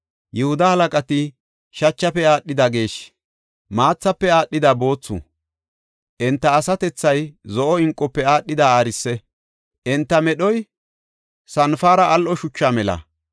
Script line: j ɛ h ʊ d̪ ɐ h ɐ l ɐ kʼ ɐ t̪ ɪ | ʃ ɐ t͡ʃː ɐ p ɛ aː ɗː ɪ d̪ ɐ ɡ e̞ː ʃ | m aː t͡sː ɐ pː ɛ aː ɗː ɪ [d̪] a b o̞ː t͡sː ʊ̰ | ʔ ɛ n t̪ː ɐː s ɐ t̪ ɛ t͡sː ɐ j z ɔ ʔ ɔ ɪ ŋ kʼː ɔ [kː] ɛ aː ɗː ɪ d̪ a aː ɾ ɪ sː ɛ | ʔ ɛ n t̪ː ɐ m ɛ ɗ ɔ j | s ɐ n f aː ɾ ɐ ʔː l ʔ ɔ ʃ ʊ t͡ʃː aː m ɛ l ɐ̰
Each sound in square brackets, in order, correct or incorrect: correct, incorrect

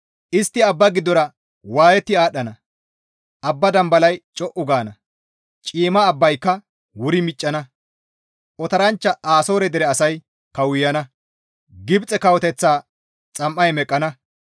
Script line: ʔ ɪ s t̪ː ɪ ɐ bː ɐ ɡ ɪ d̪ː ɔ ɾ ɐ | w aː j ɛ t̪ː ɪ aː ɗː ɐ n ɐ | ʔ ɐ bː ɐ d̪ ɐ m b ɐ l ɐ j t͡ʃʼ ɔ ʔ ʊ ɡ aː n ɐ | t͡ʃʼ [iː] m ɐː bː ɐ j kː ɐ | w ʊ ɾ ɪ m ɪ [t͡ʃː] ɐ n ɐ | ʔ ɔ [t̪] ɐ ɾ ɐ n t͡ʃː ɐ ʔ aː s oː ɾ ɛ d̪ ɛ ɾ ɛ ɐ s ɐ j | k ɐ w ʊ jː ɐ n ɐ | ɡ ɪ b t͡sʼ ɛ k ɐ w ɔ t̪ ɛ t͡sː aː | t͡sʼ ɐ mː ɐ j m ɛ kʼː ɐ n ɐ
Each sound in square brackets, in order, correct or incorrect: correct, incorrect, correct

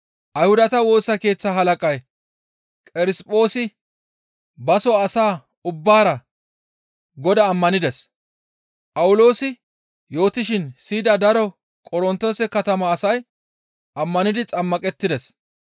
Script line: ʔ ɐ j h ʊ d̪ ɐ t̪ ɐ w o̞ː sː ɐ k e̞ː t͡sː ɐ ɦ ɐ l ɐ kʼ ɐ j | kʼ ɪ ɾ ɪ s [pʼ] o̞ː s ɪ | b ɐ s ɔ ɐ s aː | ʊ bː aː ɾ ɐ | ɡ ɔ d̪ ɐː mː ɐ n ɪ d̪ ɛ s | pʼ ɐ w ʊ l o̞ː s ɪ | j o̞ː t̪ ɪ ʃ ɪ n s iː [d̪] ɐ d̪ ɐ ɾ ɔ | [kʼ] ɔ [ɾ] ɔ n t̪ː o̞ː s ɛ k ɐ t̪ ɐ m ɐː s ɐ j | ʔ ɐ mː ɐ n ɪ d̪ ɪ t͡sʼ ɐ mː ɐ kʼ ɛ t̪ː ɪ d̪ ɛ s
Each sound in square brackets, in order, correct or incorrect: correct, correct, correct, correct

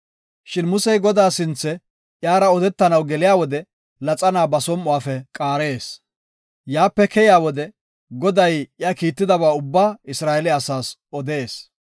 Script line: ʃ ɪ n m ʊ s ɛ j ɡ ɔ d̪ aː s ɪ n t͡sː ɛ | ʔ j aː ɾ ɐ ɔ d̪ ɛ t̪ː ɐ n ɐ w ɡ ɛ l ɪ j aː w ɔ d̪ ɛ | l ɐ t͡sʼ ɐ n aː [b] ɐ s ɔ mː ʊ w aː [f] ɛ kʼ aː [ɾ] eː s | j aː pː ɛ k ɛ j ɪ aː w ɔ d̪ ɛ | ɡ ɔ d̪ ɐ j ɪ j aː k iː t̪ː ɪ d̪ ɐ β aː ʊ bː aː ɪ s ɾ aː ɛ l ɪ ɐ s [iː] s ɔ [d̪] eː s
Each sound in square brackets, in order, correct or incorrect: correct, correct, correct, incorrect, correct

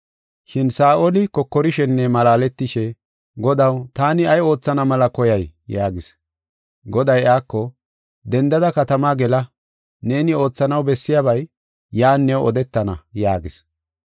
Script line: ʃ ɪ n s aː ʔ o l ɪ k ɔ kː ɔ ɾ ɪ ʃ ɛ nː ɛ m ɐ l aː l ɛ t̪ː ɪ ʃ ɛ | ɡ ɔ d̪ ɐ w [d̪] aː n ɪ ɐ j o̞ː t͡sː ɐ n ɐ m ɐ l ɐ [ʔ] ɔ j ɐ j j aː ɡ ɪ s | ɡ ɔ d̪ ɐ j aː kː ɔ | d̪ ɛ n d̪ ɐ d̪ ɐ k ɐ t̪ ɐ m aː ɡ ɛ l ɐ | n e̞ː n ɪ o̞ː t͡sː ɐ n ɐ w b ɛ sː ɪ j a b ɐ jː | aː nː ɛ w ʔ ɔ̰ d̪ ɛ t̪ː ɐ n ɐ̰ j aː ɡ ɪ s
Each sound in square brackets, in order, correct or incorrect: incorrect, incorrect

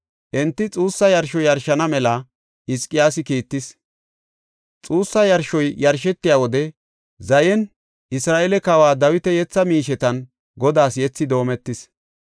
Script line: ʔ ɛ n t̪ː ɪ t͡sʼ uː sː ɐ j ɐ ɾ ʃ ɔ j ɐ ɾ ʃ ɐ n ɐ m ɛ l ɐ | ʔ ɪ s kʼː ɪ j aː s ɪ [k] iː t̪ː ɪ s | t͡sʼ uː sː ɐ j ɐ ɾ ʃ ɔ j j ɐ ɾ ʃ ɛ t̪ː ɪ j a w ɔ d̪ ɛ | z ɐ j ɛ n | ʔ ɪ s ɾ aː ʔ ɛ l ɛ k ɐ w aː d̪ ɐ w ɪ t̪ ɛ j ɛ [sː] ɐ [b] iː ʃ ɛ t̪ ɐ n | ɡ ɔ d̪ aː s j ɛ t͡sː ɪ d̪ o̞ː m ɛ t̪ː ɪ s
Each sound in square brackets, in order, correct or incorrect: correct, incorrect, incorrect

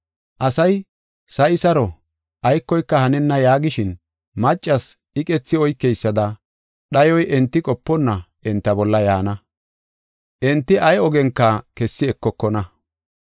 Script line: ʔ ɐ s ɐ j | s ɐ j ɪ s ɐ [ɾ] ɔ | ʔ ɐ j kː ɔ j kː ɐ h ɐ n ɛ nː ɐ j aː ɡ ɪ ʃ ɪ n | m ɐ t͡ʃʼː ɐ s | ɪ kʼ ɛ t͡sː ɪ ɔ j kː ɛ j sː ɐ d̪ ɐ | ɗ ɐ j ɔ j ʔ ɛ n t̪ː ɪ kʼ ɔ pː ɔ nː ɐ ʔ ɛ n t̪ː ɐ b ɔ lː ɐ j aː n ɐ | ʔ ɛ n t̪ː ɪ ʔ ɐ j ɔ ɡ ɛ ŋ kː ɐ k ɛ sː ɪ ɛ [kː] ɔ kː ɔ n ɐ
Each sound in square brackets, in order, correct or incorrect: correct, correct

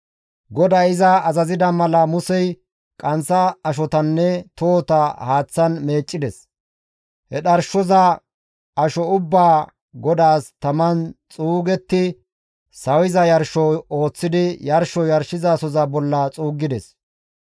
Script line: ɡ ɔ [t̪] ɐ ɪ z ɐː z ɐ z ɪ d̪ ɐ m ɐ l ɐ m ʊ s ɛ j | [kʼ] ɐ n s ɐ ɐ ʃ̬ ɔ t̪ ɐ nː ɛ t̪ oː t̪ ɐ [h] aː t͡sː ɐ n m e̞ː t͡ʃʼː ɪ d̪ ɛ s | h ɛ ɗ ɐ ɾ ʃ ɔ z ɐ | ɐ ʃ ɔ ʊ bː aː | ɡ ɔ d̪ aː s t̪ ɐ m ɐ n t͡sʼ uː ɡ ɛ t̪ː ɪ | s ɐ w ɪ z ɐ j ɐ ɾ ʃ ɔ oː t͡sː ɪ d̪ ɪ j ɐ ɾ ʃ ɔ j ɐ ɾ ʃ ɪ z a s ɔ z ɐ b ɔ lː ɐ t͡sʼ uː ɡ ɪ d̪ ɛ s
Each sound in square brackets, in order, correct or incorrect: incorrect, correct, correct

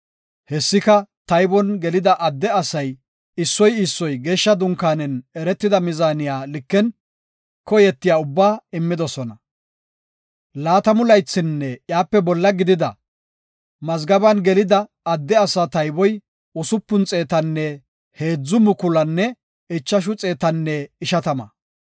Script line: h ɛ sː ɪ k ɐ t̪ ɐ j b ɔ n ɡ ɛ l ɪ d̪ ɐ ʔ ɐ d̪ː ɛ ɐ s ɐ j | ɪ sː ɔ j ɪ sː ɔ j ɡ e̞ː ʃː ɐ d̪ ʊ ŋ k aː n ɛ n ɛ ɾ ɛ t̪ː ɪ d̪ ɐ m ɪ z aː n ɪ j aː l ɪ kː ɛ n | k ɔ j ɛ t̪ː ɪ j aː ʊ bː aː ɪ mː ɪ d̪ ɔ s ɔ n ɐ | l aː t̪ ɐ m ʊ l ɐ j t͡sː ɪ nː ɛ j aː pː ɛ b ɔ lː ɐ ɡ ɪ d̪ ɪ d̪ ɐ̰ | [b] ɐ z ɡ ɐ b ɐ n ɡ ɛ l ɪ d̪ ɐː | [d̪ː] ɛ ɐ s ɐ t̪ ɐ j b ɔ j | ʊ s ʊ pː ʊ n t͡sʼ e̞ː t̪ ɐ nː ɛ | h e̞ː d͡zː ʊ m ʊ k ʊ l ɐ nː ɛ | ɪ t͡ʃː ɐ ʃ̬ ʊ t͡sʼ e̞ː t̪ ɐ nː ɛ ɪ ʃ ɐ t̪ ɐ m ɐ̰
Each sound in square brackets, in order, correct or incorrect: incorrect, correct

